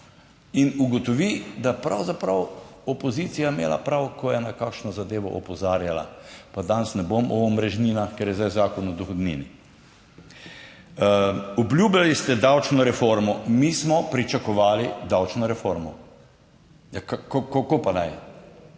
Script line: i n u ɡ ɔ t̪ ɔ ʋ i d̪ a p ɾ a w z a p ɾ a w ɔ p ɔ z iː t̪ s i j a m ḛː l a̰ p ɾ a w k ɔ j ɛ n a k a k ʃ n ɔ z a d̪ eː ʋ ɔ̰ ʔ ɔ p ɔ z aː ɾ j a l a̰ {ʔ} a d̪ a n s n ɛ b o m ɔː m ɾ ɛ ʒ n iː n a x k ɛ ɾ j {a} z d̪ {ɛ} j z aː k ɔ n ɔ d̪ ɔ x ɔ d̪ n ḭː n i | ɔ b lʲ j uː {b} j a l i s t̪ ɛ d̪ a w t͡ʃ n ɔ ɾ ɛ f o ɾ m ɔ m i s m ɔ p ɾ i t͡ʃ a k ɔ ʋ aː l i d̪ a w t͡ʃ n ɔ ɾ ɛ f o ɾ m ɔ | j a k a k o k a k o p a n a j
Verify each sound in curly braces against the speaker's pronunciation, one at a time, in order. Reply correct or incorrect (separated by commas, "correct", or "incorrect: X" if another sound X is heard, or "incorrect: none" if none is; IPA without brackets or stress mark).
incorrect: p, incorrect: ɛ, incorrect: a, correct